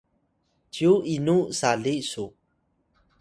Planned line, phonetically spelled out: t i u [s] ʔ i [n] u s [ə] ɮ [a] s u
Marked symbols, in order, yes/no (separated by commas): no, yes, no, no